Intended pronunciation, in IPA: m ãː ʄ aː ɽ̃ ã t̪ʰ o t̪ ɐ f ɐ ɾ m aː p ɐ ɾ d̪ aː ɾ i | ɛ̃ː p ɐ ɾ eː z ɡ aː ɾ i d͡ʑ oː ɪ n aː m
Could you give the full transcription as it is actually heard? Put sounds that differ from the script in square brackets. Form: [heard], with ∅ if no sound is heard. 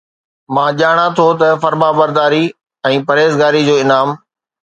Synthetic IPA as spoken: m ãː ʄ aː ɽ̃ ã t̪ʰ o t̪ ɐ f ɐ ɾ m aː [b] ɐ ɾ d̪ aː ɾ i | ɛ̃ː p ɐ ɾ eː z ɡ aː ɾ i d͡ʑ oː ɪ n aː m